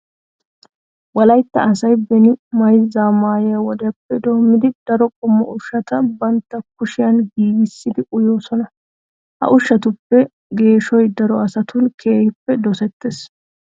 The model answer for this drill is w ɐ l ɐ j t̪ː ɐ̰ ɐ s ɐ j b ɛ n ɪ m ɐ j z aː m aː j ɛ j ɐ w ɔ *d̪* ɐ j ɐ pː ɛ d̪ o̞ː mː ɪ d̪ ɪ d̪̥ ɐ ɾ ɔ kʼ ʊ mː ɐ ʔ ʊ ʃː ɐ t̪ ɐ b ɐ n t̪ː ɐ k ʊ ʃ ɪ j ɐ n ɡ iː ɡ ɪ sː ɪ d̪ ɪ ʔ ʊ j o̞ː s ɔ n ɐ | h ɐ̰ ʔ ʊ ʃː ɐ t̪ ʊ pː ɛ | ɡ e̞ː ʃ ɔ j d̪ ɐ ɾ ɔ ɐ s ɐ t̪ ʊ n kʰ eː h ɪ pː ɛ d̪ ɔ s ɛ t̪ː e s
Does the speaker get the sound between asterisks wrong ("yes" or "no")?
no